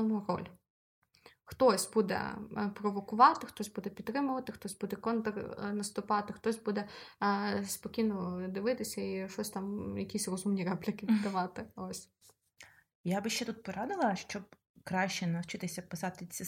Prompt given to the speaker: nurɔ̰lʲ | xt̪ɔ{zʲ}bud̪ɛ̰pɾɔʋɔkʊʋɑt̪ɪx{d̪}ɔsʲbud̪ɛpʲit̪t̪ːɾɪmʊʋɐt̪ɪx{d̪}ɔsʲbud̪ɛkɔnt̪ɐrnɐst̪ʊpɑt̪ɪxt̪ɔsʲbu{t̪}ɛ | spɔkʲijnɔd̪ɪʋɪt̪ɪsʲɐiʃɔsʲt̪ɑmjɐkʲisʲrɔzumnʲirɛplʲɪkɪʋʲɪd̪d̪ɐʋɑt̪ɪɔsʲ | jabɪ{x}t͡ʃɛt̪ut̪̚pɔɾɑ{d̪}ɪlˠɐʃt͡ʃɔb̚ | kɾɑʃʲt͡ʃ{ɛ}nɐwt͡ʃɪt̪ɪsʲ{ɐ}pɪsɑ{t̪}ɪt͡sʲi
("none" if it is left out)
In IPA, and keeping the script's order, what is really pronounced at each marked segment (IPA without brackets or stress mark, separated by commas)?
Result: sʲ, t̪, t̪, d̪, ʃ, d̪, ɛ, ɐ, t̪